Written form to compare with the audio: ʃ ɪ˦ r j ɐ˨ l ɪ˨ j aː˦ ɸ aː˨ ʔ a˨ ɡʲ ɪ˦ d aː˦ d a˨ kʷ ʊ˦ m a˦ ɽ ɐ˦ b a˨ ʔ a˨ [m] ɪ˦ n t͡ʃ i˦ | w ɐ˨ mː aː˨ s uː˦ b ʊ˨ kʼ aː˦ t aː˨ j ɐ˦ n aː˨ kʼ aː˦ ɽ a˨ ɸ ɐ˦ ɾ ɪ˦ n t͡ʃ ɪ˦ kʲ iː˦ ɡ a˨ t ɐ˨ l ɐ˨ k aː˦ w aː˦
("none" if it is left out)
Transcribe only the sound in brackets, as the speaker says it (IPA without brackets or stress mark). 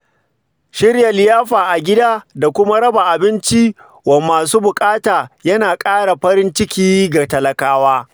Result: b